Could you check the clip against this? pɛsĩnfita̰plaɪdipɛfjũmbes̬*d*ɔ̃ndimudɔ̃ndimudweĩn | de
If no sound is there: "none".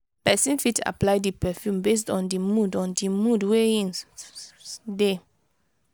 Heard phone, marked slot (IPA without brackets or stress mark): t